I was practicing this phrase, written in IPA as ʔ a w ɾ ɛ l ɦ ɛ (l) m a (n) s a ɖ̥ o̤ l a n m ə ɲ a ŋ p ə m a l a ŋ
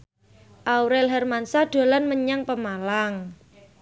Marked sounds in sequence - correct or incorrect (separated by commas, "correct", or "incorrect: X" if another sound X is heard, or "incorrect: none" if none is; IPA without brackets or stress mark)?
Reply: incorrect: r, correct